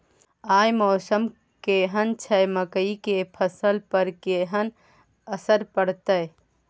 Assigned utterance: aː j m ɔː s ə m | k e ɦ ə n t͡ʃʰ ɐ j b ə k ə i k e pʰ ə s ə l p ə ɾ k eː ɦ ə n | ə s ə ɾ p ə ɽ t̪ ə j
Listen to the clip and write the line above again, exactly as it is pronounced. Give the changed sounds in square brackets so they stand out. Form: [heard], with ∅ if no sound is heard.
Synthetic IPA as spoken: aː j m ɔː s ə m | k e ɦ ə n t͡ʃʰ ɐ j [m] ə k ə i k e pʰ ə s ə l p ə ɾ k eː ɦ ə n | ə s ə ɾ p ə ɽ t̪ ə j